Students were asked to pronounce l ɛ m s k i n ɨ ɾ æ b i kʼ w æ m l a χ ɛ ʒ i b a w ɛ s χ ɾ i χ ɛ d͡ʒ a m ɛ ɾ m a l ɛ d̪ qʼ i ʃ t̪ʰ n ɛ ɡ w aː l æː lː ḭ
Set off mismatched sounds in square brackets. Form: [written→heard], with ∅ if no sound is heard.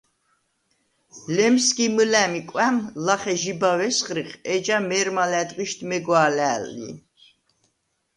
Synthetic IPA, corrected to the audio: l ɛ m s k i [n→m] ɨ [ɾ→l] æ [b→m] i kʼ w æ m l a χ ɛ ʒ i b a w ɛ s χ ɾ i χ ɛ d͡ʒ a m ɛ ɾ m a l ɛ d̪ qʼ i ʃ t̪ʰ [n→m] ɛ ɡ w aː l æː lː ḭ